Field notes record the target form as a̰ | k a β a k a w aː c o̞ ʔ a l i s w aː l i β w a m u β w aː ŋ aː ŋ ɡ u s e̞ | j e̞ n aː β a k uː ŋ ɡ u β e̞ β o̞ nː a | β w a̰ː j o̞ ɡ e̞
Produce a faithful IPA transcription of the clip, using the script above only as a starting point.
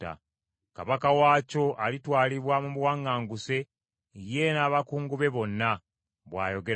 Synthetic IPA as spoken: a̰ | k a β a k a w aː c o̞ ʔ a l i t w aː l i β w a m u β w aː ŋ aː ŋ ɡ u s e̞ | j e̞ n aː β a k uː ŋ ɡ u β e̞ β o̞ nː a | β w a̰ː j o̞ ɡ e̞